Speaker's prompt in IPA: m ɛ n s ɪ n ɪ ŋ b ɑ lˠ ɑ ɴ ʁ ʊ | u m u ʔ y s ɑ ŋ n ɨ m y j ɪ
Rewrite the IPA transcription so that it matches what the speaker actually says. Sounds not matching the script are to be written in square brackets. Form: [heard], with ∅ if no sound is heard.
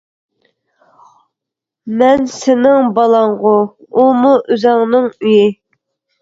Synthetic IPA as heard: m ɛ n s ɪ n ɪ ŋ b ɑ lˠ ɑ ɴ ʁ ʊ | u m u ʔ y [z] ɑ ŋ n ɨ [ŋ] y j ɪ